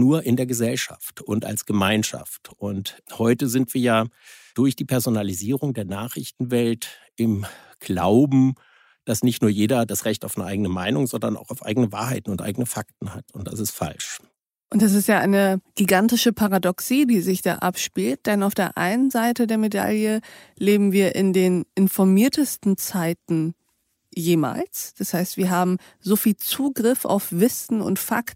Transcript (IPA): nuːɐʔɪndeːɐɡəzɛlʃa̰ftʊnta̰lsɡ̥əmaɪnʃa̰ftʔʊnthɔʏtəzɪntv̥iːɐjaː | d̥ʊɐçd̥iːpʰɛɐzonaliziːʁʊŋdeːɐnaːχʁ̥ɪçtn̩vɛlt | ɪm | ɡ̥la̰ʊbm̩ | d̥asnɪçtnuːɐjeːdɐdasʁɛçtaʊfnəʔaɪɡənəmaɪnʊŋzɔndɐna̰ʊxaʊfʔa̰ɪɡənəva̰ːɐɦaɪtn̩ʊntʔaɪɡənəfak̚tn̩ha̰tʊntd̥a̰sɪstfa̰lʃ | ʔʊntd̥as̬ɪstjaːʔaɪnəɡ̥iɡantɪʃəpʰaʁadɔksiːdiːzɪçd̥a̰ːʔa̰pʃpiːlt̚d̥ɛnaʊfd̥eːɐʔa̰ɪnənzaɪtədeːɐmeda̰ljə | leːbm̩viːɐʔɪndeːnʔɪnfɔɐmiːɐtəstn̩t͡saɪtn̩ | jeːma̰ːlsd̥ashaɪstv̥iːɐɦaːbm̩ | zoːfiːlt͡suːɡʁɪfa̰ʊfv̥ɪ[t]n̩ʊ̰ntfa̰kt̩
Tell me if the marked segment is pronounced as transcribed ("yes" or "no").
no